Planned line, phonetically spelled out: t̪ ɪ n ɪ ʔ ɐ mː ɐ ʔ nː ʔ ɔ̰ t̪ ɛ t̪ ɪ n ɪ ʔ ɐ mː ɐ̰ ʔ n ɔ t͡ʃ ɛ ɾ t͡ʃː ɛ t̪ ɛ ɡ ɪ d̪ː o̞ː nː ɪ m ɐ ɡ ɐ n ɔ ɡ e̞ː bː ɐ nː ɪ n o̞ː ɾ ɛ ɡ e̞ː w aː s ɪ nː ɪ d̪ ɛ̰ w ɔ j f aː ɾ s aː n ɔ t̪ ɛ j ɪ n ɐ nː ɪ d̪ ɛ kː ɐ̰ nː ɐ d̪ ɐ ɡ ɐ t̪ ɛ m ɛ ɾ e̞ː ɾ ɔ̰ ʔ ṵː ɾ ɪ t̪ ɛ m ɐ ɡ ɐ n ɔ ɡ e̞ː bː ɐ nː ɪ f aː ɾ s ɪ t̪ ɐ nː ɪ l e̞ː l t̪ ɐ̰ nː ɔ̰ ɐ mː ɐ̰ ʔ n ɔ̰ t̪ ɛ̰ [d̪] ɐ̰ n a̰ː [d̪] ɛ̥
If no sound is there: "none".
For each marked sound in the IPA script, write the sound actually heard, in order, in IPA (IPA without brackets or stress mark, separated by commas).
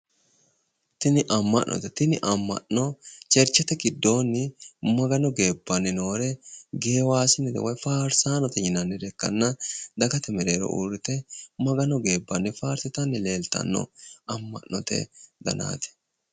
d̪, t̪